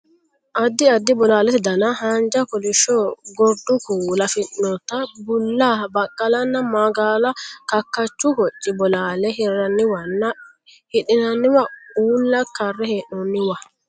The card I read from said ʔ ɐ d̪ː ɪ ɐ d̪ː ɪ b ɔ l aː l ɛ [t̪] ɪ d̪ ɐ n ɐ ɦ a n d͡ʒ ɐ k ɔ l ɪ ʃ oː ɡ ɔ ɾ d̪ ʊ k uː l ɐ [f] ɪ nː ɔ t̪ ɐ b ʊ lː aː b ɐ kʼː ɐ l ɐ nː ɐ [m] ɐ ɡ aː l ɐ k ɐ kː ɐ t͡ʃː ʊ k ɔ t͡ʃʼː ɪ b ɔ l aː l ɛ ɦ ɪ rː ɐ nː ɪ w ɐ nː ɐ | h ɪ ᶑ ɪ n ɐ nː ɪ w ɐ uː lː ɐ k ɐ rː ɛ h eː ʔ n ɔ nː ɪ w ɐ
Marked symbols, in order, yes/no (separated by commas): yes, yes, yes